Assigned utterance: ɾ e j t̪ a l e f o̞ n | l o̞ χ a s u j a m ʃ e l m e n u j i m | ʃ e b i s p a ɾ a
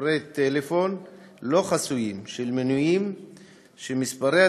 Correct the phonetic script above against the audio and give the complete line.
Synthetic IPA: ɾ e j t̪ e l e f o̞ n | l o̞ χ a s u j i m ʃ e l m e n u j i m | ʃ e m i s p a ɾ e